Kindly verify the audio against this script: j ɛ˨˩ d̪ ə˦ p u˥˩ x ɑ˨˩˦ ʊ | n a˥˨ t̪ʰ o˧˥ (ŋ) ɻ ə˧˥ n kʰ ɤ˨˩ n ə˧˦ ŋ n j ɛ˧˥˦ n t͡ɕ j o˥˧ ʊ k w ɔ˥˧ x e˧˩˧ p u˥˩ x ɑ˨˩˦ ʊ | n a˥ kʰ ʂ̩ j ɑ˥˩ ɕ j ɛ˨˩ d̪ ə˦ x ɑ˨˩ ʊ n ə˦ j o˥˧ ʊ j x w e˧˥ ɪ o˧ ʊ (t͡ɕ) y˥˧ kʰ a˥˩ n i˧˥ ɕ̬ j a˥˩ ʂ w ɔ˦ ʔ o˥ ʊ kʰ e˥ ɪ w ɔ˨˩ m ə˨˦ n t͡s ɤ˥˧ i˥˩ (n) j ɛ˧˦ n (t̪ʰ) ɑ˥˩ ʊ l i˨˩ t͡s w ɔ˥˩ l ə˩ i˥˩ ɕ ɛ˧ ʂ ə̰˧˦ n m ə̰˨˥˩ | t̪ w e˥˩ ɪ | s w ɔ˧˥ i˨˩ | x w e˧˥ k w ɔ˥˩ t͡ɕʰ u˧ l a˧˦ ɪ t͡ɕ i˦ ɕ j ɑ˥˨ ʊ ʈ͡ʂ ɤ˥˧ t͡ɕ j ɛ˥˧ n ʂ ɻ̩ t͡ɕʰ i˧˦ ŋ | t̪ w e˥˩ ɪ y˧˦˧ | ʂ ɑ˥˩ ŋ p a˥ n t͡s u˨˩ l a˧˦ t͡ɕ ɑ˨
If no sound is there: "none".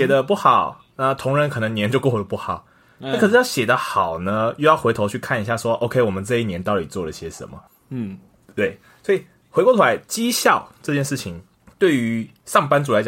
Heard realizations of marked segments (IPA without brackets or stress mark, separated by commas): ŋ, t͡ɕʰ, n, t̪